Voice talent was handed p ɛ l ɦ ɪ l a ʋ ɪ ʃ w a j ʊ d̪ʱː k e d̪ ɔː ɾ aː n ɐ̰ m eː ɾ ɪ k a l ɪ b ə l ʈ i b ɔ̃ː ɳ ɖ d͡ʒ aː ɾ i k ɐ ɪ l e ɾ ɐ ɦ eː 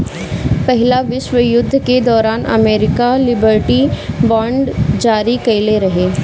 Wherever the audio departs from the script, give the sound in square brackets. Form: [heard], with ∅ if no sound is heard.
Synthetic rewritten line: p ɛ [∅] ɦ ɪ l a ʋ ɪ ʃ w [ə] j ʊ d̪ʱː k e d̪ ɔː ɾ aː n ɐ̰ m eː ɾ ɪ k a l ɪ b ə [ɾ] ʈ i b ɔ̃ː ɳ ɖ d͡ʒ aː ɾ i k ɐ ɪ l e ɾ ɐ ɦ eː